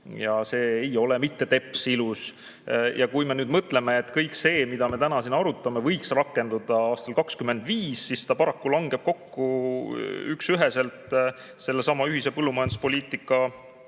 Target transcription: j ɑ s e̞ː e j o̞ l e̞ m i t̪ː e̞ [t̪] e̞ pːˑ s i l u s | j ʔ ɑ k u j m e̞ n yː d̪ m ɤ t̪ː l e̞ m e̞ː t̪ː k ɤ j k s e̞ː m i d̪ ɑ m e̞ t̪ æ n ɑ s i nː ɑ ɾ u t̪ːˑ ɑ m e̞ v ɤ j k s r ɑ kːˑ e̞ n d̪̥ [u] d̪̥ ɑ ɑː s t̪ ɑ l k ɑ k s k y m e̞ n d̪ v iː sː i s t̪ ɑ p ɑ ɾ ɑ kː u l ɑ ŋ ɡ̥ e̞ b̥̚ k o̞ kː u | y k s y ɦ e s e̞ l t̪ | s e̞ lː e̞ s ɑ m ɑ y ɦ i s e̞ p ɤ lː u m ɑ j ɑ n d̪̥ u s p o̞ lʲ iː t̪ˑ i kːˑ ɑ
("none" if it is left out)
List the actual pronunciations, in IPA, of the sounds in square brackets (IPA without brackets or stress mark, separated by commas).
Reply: t̪, u